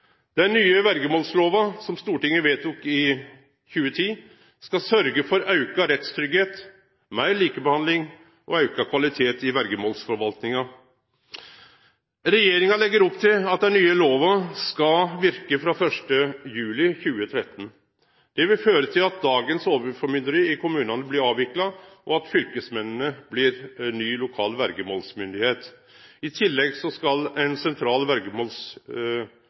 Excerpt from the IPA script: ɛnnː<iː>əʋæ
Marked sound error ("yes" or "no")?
yes